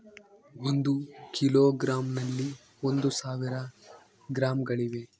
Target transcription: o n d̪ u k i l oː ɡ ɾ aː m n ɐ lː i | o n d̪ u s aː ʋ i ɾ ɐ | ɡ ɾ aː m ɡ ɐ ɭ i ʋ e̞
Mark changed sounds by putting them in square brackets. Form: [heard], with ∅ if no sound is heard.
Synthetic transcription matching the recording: o n d̪ u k i l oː ɡ ɾ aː m n ɐ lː i | o n d̪ u s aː ʋ i ɾ ɐ | ɡ ɾ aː m ɡ ɐ ɭ i ʋ e̞